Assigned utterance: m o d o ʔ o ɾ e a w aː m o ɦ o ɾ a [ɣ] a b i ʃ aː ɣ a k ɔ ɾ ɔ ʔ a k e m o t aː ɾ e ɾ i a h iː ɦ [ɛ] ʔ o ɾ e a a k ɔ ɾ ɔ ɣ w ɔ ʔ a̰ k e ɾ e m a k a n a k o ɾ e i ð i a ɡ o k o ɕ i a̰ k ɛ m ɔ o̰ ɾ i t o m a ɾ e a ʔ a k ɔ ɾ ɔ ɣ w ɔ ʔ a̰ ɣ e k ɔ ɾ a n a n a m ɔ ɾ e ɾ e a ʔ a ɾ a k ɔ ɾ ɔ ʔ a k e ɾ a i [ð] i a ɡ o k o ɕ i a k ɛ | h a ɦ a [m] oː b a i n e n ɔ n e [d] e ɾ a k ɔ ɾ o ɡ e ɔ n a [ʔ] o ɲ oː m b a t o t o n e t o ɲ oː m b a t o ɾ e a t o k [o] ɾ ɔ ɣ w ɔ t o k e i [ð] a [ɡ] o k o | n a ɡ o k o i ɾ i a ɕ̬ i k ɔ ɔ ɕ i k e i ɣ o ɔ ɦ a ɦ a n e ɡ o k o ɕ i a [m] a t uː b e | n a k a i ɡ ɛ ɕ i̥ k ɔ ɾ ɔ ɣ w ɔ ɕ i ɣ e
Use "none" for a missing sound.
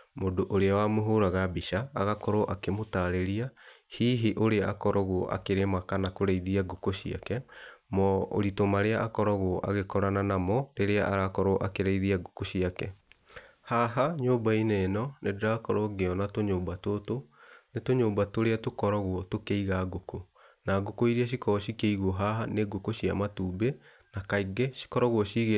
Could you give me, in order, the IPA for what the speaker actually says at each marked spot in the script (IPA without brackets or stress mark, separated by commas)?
ɣ, i, ð, ɲ, d, t, ɔ, ɣ, ɡ, m